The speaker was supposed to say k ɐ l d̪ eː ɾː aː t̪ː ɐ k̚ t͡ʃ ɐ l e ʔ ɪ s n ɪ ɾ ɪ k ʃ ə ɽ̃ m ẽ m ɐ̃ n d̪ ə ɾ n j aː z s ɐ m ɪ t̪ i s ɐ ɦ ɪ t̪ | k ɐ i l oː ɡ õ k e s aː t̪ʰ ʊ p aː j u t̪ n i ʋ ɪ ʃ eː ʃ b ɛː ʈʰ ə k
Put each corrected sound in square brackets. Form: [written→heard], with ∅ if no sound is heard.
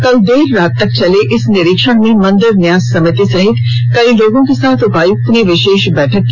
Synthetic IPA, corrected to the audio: k ɐ l d̪ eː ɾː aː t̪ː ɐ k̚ t͡ʃ ɐ l e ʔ ɪ s n ɪ ɾ ɪ k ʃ ə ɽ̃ m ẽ m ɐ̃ n d̪ ə ɾ n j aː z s ɐ m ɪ t̪ i s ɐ ɦ ɪ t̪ | k ɐ i l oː ɡ õ k e s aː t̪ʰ ʊ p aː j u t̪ n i ʋ ɪ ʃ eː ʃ b ɛː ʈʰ ə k